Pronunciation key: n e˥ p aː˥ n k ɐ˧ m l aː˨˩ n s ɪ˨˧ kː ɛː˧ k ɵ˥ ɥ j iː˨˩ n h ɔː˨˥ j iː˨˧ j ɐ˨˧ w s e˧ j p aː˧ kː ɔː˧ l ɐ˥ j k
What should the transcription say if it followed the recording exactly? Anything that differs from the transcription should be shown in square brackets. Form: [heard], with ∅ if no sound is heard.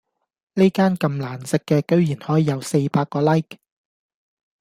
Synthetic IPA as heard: n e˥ [k] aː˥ n k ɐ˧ m l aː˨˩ n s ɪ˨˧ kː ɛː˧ k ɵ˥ ɥ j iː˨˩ n h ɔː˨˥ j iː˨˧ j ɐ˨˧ w s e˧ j p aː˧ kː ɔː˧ l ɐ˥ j k